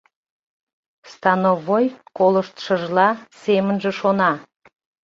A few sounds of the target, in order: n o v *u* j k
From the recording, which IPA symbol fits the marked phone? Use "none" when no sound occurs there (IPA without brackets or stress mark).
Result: o